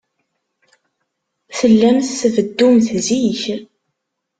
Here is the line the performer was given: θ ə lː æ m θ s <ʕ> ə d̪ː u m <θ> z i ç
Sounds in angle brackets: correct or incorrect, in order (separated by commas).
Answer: incorrect, correct